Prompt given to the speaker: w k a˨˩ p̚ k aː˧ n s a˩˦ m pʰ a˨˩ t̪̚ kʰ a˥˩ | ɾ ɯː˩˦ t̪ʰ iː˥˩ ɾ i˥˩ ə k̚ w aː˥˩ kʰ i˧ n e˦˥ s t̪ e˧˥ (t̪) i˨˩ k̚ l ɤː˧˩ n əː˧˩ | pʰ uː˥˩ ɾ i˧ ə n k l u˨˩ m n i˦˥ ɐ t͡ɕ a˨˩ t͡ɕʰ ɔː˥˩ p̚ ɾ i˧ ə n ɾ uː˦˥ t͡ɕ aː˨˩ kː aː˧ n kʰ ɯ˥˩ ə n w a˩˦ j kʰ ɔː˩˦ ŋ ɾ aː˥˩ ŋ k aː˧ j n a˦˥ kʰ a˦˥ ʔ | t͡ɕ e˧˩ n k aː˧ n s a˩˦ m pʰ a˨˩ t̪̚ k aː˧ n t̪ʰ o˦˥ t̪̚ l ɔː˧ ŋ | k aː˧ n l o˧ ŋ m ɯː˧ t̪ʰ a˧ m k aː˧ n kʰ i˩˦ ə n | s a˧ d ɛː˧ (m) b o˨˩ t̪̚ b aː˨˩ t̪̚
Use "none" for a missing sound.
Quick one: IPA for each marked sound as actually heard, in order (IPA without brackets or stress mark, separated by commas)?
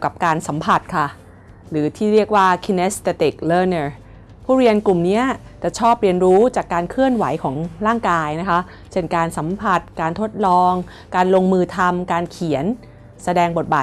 t̪, ŋ